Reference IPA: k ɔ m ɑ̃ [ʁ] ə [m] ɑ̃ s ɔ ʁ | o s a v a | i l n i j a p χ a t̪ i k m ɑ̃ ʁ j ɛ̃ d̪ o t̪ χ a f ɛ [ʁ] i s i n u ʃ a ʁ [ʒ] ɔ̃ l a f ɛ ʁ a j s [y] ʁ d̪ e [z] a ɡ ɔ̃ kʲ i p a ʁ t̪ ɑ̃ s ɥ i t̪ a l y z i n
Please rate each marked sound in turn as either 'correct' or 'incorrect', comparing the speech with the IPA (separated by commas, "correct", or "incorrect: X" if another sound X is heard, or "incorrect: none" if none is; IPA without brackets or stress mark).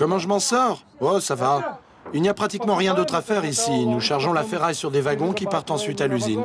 incorrect: ʒ, correct, correct, correct, correct, incorrect: v